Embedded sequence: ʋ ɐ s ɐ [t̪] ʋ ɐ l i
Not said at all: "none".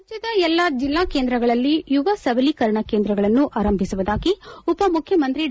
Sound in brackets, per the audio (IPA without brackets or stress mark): none